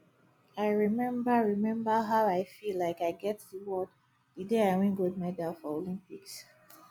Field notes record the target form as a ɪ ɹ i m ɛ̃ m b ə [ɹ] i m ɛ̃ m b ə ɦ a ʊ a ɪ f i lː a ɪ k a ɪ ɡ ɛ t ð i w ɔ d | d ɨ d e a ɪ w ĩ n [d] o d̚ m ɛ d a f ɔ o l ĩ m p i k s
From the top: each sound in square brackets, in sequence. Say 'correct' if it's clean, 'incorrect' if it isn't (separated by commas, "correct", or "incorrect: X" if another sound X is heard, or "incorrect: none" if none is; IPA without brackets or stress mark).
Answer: correct, incorrect: ɡ